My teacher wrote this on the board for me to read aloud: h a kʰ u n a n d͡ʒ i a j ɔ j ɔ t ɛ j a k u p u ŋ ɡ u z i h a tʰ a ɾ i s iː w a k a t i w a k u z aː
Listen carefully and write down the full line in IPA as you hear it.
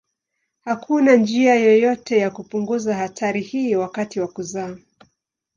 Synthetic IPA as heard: h a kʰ u n a n d͡ʒ i a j ɔ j ɔ t ɛ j a k u p u ŋ ɡ u z a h a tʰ a ɾ i h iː w a k a t i w a k u z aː